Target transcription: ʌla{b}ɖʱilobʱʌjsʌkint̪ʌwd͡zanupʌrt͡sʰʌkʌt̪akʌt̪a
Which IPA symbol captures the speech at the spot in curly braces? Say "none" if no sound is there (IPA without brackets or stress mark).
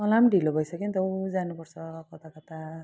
m